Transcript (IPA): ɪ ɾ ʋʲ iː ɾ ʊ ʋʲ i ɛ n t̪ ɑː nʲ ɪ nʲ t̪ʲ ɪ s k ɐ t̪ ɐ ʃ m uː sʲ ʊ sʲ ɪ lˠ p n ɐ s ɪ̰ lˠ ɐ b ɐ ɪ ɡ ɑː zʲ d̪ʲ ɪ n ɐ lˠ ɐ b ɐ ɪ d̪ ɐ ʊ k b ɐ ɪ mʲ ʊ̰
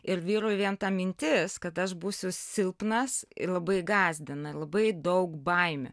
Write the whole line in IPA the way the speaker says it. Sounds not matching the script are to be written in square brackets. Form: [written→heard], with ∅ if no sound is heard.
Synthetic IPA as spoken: ɪ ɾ ʋʲ iː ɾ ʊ ʋʲ i ɛ n t̪ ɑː [nʲ→mʲ] ɪ nʲ t̪ʲ ɪ s k ɐ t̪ ɐ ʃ [m→b] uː sʲ ʊ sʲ ɪ lˠ p n ɐ s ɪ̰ lˠ ɐ b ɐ ɪ ɡ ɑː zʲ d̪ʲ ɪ n ɐ lˠ ɐ b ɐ ɪ d̪ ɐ ʊ k b ɐ ɪ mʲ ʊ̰